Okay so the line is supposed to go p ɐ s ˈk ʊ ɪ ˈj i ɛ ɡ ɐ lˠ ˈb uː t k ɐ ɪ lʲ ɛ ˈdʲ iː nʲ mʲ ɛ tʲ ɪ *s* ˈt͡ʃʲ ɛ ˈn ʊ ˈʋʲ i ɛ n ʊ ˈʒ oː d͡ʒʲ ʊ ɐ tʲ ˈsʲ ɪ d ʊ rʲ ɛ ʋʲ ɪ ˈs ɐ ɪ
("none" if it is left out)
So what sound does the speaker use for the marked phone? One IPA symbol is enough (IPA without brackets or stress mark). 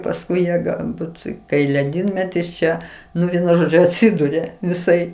s